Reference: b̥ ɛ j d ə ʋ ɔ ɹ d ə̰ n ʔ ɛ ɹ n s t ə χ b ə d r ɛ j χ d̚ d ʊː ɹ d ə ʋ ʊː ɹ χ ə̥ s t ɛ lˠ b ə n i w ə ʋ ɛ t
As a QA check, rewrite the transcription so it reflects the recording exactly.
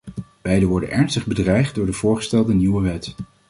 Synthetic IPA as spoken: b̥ ɛ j d ə ʋ ɔ ɹ d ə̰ n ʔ ɛ ɹ n s t ə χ b ə d r ɛ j χ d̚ d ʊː ɹ d ə v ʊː ɹ χ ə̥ s t ɛ lˠ d ə n i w ə ʋ ɛ t